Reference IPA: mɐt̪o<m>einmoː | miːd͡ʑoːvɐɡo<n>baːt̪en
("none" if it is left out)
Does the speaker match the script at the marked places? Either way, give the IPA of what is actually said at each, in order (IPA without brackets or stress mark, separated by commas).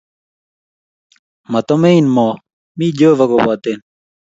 m, none